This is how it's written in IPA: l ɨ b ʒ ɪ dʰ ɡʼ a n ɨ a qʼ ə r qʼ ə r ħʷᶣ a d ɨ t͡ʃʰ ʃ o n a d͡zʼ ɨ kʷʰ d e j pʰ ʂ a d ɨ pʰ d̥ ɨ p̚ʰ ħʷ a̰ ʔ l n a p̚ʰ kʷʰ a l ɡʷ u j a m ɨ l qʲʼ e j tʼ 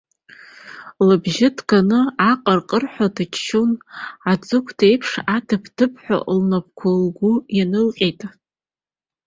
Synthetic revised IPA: l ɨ b ʒ ɪ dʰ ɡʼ a n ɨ a qʼ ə r qʼ ə r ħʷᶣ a d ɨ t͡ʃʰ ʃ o n a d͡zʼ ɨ kʷʰ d e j pʰ ʂ a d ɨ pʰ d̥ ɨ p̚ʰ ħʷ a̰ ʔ l n a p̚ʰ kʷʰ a l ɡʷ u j a n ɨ l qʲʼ e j tʼ